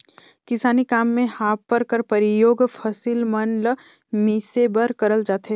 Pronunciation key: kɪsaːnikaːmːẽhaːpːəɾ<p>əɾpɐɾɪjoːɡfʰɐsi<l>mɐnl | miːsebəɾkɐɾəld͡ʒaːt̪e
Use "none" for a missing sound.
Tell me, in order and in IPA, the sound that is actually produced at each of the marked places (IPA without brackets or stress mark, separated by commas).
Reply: k, l